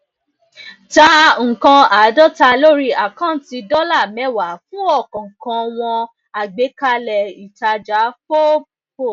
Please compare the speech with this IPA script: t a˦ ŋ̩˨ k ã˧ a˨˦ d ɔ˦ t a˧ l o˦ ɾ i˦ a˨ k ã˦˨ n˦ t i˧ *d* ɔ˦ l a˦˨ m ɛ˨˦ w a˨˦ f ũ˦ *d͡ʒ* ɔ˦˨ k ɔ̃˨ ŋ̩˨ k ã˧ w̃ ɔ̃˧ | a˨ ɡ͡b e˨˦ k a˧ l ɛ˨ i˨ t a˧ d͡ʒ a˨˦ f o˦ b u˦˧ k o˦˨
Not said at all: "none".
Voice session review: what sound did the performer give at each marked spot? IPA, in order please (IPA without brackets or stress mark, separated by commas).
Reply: d, none